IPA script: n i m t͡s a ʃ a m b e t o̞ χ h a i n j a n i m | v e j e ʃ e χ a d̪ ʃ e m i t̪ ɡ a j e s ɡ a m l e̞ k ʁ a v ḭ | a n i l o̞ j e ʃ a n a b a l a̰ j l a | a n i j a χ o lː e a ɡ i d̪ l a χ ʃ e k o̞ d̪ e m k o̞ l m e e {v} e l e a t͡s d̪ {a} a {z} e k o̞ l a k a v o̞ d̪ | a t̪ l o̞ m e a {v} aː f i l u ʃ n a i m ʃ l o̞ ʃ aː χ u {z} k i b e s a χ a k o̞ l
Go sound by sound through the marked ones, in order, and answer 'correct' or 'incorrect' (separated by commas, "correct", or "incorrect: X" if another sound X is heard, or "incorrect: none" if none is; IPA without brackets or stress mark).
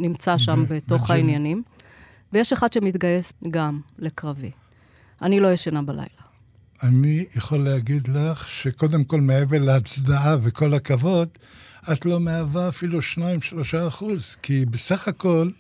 correct, correct, incorrect: v, correct, correct